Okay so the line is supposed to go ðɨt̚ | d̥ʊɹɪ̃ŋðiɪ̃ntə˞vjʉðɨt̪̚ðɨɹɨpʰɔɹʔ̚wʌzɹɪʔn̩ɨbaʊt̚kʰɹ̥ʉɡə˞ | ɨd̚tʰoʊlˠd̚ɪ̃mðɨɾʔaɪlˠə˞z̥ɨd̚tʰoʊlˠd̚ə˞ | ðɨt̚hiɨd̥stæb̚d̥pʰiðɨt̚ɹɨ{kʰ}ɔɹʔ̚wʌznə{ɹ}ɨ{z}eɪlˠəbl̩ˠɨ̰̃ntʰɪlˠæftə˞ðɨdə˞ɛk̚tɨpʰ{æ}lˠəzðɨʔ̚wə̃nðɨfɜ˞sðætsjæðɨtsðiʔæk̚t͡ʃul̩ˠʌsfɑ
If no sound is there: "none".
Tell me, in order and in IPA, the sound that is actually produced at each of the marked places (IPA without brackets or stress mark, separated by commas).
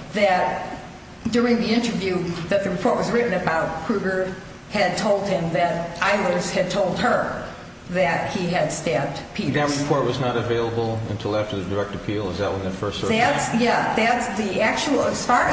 pʰ, ɾ, v, i